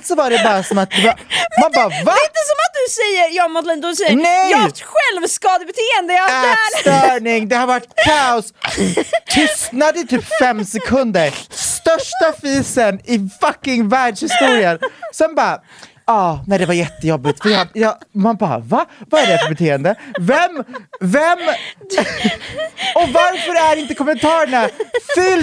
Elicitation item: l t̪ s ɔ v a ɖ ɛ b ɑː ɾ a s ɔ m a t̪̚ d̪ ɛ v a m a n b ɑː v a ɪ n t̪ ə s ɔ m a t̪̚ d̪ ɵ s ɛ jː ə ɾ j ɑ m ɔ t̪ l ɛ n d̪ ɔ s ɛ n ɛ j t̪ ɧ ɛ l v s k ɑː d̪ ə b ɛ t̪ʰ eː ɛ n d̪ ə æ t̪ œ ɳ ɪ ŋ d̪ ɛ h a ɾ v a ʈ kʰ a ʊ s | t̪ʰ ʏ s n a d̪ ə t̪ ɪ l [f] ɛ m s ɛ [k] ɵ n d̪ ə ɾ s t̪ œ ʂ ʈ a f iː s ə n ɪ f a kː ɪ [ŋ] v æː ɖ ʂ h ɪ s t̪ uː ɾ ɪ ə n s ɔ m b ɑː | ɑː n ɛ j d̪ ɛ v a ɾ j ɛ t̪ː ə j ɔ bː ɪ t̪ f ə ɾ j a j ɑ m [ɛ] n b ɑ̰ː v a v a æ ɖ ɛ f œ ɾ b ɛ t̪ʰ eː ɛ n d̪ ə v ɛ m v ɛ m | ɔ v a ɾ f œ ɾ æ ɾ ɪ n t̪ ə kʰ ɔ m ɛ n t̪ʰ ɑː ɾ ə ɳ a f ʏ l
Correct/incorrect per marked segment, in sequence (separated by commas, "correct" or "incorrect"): correct, incorrect, correct, incorrect